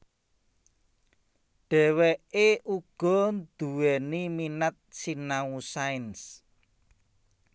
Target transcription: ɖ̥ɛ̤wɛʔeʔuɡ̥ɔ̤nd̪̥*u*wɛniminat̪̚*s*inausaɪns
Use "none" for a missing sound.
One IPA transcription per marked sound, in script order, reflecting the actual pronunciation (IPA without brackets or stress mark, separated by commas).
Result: u, s